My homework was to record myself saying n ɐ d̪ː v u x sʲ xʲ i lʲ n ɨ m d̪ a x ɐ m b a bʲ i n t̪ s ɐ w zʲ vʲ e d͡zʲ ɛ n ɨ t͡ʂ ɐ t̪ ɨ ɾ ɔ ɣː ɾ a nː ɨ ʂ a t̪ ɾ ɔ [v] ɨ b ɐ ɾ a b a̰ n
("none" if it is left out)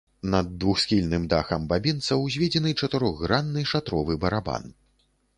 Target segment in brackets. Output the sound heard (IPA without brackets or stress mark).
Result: v